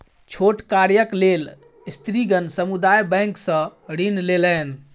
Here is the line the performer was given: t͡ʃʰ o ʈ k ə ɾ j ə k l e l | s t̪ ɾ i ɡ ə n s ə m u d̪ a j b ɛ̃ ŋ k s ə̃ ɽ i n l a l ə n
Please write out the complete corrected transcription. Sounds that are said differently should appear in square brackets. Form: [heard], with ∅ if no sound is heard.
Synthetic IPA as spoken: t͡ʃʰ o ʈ k [a] ɾ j ə k l e l | s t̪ ɾ i ɡ ə n s ə m u d̪ a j b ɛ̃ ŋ k s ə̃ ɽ i n l [e] l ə n